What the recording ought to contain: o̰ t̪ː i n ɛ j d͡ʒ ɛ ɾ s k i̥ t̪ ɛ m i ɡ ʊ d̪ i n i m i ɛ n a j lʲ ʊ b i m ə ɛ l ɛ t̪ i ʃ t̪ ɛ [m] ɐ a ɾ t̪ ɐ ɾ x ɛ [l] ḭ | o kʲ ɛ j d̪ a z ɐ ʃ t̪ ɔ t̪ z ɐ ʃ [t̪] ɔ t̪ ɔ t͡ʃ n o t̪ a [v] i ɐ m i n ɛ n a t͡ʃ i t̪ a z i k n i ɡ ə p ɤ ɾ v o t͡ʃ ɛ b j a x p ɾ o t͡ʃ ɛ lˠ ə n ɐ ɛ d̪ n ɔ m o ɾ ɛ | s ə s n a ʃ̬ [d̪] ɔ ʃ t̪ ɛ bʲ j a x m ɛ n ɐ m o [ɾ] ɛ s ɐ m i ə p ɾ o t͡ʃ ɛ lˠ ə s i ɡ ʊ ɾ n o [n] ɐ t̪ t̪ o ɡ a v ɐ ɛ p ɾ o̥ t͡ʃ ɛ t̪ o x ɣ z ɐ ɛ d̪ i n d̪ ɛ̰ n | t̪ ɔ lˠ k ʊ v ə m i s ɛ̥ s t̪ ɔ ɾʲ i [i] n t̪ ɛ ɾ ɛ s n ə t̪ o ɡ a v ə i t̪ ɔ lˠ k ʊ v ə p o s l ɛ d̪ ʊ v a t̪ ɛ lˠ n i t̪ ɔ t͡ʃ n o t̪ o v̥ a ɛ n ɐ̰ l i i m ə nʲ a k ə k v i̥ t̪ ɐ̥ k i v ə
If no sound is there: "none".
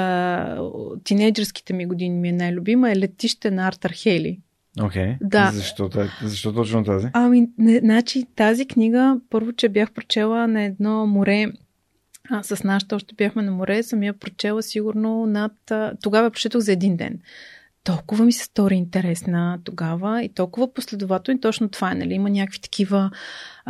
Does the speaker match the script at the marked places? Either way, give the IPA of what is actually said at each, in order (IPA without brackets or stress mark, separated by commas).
n, l, t̪, z, t̪, ɾ, n, i